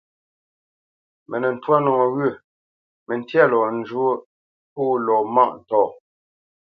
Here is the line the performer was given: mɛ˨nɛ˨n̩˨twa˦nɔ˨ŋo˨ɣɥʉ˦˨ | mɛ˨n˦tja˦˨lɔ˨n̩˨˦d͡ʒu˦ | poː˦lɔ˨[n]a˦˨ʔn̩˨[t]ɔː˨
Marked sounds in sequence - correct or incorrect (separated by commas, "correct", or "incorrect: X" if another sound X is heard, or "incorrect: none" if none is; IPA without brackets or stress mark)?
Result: incorrect: m, correct